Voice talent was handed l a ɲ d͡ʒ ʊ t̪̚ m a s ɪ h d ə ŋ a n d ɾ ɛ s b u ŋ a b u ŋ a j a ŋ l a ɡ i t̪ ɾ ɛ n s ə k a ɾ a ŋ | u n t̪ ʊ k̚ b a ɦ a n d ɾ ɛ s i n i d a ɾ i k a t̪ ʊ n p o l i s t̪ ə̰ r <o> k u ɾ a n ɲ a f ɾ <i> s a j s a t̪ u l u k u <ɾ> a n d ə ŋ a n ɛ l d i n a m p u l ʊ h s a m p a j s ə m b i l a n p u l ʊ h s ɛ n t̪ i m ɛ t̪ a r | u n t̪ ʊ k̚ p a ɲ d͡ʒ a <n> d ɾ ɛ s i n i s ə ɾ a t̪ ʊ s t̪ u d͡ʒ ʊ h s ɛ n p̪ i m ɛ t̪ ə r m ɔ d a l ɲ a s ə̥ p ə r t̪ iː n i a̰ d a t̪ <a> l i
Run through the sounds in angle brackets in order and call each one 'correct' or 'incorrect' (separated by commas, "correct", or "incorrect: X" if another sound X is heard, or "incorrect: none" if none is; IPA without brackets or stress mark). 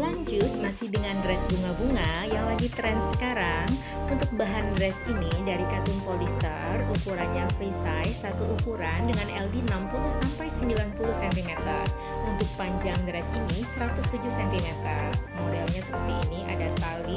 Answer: incorrect: u, correct, correct, incorrect: ŋ, correct